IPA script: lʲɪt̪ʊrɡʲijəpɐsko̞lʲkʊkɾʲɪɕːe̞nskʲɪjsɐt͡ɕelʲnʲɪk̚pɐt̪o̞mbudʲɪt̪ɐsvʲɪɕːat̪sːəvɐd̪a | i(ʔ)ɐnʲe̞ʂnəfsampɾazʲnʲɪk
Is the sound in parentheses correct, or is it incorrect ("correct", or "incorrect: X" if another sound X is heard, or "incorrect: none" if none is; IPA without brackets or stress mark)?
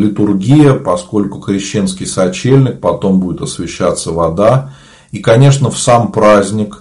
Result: incorrect: k